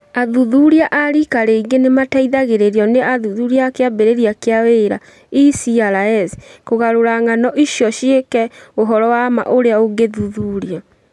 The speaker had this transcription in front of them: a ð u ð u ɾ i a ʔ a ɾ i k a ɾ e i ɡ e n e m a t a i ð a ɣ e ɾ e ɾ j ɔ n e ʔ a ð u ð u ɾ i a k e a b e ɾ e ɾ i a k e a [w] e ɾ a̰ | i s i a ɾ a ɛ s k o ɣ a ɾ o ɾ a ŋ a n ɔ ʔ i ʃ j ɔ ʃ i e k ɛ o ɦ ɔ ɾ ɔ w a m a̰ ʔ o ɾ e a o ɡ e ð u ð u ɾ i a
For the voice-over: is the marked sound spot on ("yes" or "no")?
yes